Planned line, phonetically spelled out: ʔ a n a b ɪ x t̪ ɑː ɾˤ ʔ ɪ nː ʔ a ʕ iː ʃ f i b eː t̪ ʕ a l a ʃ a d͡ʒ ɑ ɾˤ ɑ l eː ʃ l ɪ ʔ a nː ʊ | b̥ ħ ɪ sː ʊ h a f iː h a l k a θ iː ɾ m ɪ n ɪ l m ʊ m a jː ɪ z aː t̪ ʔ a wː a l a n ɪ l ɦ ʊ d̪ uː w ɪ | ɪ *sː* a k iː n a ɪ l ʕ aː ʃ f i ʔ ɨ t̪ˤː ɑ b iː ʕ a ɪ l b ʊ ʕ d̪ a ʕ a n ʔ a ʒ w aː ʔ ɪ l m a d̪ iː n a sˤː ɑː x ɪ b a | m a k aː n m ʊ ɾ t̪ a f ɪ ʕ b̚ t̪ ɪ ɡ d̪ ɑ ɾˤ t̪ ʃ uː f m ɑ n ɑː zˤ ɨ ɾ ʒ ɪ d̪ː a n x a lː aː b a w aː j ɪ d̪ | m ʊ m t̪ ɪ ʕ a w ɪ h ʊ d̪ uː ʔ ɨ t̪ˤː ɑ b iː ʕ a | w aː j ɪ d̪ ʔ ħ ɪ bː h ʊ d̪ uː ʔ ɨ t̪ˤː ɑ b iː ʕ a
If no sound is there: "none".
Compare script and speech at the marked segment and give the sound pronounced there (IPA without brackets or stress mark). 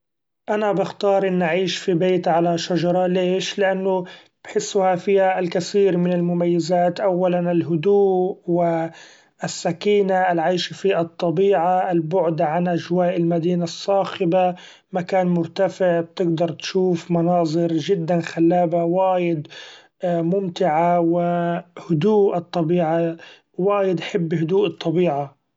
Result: sː